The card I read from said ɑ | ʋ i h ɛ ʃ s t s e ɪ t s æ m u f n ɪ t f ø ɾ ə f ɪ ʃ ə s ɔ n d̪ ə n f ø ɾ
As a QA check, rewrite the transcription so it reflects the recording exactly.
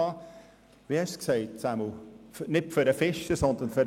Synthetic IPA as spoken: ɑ | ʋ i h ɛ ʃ s k s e ɪ t s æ m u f n ɪ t f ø ɾ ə f ɪ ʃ ə s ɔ n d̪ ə n f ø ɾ